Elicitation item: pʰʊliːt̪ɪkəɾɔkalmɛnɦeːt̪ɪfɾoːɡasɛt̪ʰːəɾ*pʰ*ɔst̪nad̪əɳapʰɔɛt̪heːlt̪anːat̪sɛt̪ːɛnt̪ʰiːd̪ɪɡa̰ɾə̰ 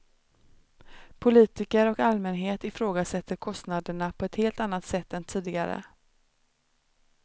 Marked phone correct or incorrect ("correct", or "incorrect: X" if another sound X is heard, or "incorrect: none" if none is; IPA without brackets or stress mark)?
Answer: incorrect: kʰ